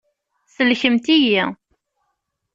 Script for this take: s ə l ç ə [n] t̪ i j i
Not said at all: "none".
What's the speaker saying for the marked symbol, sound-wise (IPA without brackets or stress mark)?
m